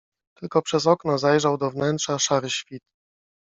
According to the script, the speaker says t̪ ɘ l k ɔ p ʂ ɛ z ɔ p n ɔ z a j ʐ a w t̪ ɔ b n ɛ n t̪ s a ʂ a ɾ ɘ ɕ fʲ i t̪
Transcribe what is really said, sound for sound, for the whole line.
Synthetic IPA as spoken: t̪ ɘ l k ɔ p ʂ ɛ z ɔ k n ɔ z a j ʐ a w d̪ ɔ v n ɛ n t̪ ʂ a ʂ a ɾ ɘ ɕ fʲ i t̪